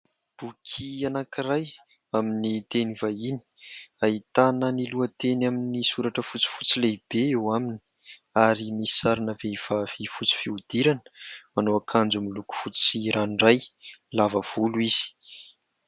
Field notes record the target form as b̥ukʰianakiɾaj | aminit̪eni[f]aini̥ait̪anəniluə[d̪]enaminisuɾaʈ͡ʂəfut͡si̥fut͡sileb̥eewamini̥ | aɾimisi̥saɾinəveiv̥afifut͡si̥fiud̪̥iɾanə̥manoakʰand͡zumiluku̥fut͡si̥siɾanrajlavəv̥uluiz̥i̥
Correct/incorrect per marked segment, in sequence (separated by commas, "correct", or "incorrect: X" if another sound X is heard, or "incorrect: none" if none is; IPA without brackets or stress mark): incorrect: v, incorrect: t̪